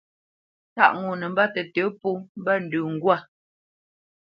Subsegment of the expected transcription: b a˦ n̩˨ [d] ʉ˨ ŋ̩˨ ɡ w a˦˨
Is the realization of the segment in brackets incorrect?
no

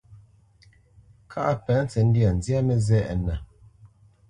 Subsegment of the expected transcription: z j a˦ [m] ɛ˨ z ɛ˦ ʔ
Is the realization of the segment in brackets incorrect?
no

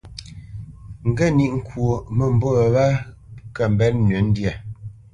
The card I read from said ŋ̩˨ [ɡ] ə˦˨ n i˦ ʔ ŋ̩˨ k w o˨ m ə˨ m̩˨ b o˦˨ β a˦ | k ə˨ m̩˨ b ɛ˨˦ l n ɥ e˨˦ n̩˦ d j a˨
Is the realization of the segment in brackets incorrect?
no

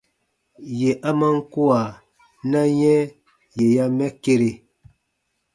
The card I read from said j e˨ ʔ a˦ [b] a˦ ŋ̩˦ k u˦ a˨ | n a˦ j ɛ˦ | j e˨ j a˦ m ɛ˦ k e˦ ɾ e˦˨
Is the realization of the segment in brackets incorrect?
yes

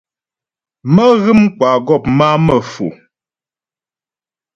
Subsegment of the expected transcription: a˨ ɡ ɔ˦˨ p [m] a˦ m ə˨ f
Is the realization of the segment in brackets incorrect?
no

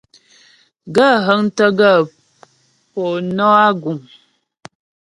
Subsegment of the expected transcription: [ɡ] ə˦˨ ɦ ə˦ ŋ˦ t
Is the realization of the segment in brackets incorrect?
no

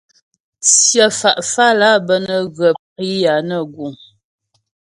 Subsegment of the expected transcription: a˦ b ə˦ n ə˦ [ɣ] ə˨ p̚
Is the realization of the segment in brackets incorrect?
no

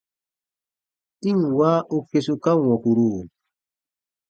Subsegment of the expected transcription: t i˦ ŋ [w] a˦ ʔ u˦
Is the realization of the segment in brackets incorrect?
no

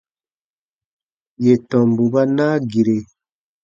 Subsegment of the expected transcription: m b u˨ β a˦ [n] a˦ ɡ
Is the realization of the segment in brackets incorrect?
no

